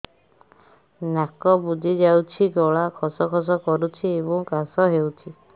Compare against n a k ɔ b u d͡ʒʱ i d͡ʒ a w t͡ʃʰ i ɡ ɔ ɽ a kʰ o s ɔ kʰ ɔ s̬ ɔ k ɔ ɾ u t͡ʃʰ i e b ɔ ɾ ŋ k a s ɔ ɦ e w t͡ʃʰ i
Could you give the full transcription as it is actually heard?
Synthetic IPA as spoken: n a k ɔ b u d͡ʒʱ i d͡ʒ a w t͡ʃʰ i ɡ ɔ ɭ a kʰ ɔ s ɔ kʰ ɔ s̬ ɔ k ɔ ɾ u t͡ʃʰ i e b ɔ ŋ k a s ɔ ɦ e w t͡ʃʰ i